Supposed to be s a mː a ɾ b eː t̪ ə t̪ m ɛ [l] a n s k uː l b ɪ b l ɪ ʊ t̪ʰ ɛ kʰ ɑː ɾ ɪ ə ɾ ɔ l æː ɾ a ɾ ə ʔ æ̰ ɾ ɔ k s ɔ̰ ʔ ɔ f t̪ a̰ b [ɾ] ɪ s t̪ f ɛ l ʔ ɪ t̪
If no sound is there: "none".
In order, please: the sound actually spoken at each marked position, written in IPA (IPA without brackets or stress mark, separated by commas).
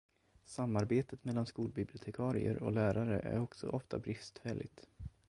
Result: lː, ɾ